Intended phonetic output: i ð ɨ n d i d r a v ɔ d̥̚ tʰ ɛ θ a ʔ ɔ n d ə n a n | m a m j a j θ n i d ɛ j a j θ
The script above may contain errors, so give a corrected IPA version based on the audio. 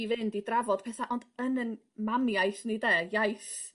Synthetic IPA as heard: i v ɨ n d i d r a v ɔ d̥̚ pʰ ɛ θ a ʔ ɔ n d ə n ə n | m a m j a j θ n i d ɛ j a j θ